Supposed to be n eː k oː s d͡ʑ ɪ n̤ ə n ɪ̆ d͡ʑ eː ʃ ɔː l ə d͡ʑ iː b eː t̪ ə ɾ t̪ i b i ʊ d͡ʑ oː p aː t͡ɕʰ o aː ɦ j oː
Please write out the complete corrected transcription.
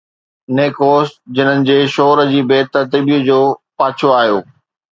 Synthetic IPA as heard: n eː k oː s d͡ʑ ɪ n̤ ə n ɪ̆ d͡ʑ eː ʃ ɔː ɾ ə d͡ʑ iː b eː t̪ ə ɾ t̪ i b i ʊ d͡ʑ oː p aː t͡ɕʰ o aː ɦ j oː